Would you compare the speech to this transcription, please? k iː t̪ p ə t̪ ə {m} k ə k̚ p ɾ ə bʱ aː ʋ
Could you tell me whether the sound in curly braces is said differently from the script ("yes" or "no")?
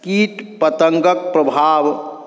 yes